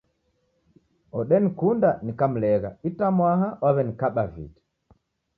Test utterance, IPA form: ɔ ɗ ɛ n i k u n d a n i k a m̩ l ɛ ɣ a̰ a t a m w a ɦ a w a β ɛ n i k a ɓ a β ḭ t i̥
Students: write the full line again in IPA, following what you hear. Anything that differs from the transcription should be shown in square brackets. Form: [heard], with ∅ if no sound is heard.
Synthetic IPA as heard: ɔ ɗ ɛ n i k u n d a n i k a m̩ l ɛ ɣ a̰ [i] t a m w a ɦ a w a β ɛ n i k a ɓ a [v] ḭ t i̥